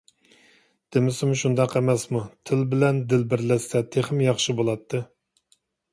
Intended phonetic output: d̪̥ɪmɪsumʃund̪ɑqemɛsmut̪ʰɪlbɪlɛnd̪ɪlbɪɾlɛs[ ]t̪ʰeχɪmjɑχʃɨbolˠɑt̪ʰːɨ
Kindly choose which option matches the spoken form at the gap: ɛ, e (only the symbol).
ɛ